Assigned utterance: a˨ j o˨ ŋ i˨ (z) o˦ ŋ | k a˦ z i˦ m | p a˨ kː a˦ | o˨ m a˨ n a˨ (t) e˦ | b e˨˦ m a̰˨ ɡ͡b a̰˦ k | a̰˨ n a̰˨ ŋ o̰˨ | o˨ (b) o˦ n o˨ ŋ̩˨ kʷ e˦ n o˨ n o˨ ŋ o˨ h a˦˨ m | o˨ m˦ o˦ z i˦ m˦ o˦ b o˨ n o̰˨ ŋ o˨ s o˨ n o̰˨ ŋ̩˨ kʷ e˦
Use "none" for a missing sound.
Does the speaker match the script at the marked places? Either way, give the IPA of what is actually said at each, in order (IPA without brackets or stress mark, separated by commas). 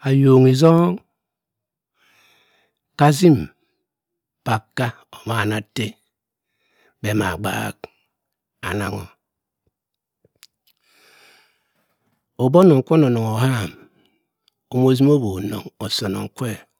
z, t, b